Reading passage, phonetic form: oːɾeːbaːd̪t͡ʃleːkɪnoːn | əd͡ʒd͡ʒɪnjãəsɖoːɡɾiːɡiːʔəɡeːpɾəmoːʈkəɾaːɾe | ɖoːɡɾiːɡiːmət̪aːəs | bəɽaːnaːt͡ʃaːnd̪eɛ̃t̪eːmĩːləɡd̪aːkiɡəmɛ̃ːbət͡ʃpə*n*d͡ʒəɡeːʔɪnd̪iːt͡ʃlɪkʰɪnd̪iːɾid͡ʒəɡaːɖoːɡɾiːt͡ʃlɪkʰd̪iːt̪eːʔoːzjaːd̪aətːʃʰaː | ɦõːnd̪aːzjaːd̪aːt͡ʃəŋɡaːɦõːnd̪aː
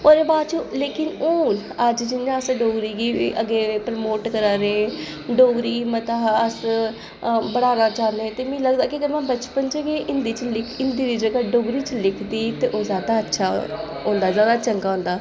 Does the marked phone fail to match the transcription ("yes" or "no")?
no